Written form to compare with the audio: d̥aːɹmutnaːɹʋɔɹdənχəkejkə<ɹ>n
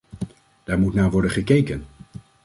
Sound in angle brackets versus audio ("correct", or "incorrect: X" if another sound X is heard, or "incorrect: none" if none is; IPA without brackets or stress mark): incorrect: none